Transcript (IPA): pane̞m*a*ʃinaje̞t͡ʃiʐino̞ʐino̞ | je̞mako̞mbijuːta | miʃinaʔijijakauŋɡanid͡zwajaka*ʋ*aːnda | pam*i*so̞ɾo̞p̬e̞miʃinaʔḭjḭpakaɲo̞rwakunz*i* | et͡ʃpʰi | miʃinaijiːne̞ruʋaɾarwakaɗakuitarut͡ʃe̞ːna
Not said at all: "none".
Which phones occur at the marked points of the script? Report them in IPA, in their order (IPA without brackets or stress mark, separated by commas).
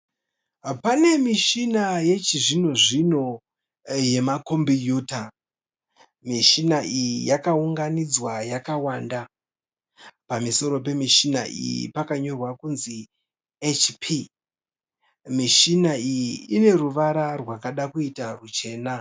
i, w, i, i